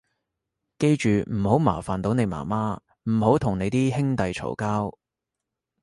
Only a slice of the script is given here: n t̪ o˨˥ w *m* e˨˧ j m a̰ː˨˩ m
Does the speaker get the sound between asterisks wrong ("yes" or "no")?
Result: yes